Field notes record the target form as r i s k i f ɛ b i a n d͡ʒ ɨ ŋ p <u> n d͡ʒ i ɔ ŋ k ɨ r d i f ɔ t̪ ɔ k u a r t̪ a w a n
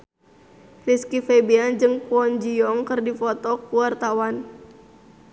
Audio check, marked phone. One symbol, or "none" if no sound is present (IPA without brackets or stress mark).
ɔ